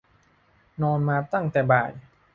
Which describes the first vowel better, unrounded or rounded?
rounded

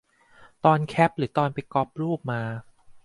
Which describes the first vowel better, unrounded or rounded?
rounded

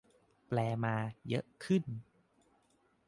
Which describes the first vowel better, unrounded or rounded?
unrounded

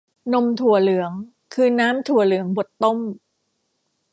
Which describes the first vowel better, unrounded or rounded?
rounded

